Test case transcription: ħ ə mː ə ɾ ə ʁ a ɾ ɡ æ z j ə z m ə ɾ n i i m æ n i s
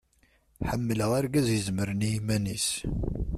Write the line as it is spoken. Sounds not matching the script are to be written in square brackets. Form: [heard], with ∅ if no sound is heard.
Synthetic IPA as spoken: ħ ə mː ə [l] ə ʁ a ɾ ɡ æ z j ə z m ə ɾ n i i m æ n i s